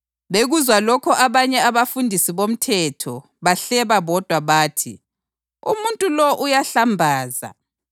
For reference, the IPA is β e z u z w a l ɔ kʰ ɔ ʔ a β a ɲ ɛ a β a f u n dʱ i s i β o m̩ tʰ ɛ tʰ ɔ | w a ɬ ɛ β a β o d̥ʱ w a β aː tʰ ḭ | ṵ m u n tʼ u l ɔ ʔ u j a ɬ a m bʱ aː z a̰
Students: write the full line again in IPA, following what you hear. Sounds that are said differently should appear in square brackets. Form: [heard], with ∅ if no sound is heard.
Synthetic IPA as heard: β e [ɣ] u z w a l ɔ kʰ ɔ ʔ a β a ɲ ɛ a β a f u n dʱ i s i β o m̩ tʰ ɛ tʰ ɔ | [β] a ɬ ɛ β a β [ɔ] d̥ʱ w a β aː tʰ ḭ | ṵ m u n tʼ u l ɔ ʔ u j a ɬ a m bʱ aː z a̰